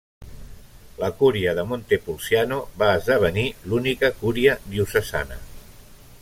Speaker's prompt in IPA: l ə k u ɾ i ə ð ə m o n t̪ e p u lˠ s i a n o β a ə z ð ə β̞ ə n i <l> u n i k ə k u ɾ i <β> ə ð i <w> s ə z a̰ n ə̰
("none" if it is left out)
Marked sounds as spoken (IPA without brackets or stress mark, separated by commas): l, none, u